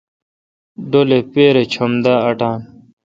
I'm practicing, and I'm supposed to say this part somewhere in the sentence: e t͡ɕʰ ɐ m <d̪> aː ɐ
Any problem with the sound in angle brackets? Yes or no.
no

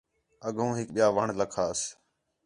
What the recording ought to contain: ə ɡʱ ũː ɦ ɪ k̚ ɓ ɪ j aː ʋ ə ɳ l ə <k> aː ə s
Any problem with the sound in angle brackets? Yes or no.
yes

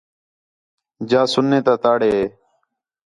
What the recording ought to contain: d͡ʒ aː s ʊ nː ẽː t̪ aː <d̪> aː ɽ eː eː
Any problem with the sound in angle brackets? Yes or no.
yes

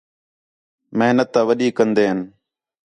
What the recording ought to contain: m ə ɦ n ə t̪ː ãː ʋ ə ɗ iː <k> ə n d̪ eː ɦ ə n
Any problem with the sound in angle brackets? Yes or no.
no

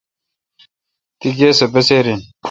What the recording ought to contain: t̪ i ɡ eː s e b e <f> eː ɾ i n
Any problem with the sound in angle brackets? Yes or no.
yes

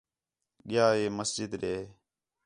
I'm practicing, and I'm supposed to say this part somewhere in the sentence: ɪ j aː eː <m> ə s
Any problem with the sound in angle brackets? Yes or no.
no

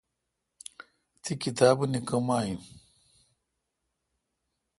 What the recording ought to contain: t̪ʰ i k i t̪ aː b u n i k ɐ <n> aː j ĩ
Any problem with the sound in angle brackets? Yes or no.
yes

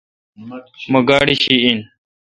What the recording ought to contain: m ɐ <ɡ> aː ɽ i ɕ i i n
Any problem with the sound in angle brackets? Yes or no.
no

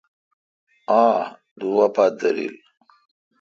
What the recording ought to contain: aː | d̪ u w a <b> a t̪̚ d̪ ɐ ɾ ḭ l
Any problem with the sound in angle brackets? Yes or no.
yes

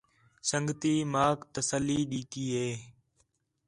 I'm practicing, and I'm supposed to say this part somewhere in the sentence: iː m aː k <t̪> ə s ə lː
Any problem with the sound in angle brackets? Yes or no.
no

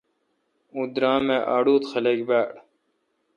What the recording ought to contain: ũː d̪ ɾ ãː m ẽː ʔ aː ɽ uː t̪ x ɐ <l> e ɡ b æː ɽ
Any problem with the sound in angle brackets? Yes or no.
no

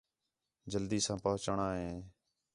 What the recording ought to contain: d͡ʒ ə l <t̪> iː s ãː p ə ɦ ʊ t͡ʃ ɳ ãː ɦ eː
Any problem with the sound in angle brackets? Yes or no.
yes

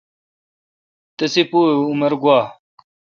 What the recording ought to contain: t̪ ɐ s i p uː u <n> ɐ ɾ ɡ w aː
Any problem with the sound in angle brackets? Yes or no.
yes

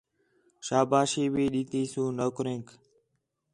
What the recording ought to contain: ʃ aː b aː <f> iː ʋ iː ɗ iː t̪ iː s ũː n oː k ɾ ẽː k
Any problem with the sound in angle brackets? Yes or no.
yes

